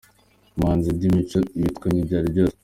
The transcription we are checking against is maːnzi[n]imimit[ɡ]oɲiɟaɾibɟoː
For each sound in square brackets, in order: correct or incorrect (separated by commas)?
incorrect, incorrect